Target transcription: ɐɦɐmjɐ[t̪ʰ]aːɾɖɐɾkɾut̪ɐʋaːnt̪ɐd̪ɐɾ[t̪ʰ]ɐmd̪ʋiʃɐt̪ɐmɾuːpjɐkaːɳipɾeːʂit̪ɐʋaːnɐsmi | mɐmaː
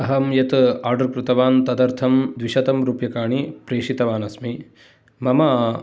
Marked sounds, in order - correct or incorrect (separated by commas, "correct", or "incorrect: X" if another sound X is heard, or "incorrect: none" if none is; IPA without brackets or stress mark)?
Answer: incorrect: t̪, correct